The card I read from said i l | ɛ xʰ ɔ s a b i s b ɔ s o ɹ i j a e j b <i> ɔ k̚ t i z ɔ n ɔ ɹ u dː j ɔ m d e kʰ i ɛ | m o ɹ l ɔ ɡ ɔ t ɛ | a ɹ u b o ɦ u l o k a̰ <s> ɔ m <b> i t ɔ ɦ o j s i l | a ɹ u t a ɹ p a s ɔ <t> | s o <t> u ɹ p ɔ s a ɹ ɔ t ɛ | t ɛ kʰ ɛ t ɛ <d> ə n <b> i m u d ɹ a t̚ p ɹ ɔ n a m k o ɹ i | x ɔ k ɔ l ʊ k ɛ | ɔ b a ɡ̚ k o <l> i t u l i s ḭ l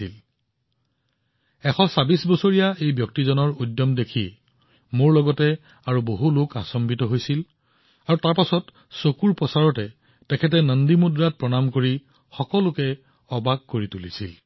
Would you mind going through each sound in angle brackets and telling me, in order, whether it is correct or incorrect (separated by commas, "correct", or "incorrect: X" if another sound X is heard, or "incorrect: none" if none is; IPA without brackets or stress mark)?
incorrect: j, correct, correct, correct, incorrect: k, incorrect: n, incorrect: d, incorrect: ɹ